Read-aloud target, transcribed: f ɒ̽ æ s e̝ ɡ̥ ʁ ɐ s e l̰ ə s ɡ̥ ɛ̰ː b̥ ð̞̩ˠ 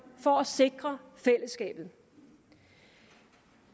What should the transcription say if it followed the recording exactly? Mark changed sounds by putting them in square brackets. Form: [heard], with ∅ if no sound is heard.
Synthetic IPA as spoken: f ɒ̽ æ s e̝ ɡ̥ ʁ ɐ [f] e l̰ ə s ɡ̥ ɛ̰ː b̥ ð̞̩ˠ